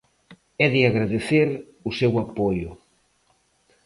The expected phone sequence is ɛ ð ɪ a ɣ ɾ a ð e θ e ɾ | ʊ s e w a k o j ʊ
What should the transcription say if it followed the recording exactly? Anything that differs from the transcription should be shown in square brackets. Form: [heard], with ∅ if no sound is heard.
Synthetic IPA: ɛ ð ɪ a ɣ ɾ a ð e θ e ɾ | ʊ s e w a [p] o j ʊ